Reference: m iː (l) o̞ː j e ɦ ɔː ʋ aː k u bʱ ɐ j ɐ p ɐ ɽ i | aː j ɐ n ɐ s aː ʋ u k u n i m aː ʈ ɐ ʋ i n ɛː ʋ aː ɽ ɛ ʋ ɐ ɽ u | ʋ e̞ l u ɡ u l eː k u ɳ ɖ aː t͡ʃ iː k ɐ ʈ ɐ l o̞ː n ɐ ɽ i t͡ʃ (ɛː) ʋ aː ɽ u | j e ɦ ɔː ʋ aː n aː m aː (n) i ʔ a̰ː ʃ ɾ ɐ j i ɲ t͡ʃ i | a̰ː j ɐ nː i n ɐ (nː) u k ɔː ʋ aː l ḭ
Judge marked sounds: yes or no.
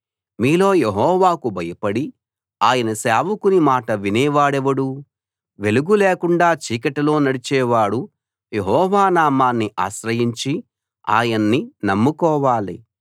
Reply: yes, yes, no, no

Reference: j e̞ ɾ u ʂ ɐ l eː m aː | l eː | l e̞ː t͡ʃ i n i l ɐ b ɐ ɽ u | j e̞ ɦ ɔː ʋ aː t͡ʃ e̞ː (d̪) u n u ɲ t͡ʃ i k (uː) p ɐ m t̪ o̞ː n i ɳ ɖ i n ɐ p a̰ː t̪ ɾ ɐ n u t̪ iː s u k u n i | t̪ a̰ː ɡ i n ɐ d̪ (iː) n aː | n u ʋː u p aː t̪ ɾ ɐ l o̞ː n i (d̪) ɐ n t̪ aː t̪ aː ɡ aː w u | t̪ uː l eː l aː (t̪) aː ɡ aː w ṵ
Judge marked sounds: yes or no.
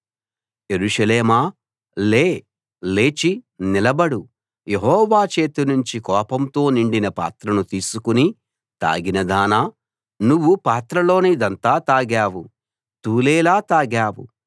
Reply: no, no, no, yes, yes

